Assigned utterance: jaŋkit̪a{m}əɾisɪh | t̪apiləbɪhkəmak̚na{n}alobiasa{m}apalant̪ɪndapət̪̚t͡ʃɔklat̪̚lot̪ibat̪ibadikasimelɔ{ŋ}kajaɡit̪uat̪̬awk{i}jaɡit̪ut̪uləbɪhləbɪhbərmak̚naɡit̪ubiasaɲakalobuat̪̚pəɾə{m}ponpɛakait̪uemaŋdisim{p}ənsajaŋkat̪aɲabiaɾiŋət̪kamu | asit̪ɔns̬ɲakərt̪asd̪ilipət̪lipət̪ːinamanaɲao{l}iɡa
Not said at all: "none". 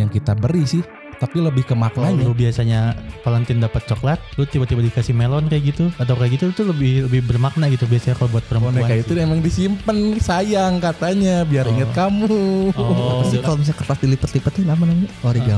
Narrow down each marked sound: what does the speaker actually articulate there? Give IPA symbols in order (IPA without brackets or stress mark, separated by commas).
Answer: b, ɲ, ɲ, n, a, m, p, ɾ